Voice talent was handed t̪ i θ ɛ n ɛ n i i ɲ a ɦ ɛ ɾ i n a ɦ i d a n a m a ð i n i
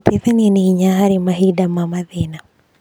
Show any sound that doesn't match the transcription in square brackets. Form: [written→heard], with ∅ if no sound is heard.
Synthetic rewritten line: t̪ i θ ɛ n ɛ n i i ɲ a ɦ [ɛ→a] ɾ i [n→m] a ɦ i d a [n→m] a m a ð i n [i→a]